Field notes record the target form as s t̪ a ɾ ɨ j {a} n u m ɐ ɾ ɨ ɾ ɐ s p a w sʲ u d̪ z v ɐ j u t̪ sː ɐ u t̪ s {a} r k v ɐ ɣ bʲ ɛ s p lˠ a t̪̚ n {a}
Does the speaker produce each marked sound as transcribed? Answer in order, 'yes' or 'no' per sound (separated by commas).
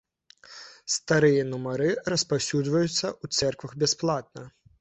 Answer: no, no, no